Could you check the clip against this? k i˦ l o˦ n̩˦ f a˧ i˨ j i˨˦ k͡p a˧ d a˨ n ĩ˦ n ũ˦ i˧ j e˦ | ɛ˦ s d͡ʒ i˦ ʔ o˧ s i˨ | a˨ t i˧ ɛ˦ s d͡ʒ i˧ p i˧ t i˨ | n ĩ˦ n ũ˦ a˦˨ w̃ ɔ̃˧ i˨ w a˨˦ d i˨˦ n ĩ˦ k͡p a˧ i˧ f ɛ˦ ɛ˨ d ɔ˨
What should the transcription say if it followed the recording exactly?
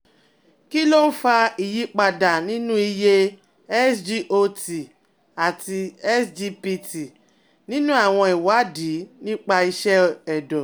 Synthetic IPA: k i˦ l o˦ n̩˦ f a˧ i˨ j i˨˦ k͡p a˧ d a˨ n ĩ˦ n ũ˦ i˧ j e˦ | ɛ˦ s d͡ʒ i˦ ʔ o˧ t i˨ | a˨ t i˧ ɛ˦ s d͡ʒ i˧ p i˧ t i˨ | n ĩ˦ n ũ˦ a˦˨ w̃ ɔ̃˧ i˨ w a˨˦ d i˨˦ n ĩ˦ k͡p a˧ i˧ ʃ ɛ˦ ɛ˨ d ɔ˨